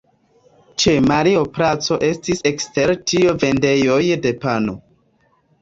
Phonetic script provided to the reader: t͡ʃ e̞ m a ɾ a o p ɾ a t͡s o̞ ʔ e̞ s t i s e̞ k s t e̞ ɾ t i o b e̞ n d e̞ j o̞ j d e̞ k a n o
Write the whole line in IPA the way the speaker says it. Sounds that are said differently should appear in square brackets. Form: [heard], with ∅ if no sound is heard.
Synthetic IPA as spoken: t͡ʃ e̞ m a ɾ [i] o p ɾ a t͡s o̞ ʔ e̞ s t i s e̞ k s t e̞ ɾ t i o [v] e̞ n d e̞ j o̞ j d e̞ [p] a n o